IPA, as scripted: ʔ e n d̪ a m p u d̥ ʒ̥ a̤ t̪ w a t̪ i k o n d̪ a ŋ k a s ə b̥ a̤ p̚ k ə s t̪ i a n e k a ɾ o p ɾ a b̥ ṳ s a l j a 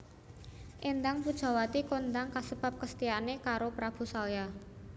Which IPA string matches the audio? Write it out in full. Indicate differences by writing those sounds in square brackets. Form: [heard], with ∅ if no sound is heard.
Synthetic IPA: ʔ e n d̪ a [ŋ] p u d̥ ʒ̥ a̤ [∅] w a t̪ i k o n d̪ a ŋ k a s ə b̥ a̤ p̚ k ə s t̪ i a n e k a ɾ o p ɾ a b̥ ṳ s a l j a